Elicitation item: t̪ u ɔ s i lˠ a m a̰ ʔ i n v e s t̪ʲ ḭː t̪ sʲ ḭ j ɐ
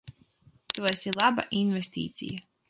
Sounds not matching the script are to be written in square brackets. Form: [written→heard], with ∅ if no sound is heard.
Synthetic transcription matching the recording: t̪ u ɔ s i lˠ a [m→b] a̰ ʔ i n v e s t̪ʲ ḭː t̪ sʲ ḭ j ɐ